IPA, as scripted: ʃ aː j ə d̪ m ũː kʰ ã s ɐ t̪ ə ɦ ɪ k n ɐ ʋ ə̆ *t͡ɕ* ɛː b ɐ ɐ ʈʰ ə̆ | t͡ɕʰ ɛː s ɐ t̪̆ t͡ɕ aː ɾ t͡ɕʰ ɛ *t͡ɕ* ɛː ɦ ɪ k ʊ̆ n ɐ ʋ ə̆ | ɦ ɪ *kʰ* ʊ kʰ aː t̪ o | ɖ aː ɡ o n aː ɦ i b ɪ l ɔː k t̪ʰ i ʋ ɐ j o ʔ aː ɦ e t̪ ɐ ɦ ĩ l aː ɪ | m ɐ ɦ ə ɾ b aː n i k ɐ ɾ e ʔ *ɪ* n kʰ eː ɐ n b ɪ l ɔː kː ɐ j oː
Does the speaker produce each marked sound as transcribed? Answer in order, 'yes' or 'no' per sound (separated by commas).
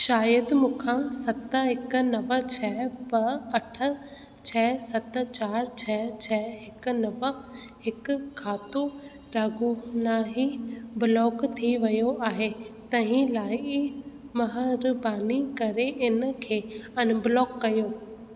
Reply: no, no, no, yes